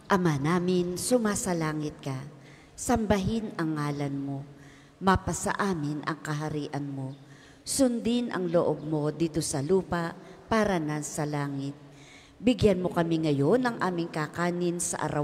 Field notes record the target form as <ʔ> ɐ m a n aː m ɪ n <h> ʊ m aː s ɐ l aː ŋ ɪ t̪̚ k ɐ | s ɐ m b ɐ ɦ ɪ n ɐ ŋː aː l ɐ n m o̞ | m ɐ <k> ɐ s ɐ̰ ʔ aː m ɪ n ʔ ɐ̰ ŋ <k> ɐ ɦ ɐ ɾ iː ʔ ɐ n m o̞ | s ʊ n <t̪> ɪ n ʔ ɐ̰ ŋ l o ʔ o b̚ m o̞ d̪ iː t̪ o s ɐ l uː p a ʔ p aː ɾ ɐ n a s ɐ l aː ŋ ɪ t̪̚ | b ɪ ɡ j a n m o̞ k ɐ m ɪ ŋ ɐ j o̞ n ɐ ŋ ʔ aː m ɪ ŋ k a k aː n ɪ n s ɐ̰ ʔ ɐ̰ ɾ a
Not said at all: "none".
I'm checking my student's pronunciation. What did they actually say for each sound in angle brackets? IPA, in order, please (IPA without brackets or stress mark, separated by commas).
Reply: ʔ, s, p, k, d̪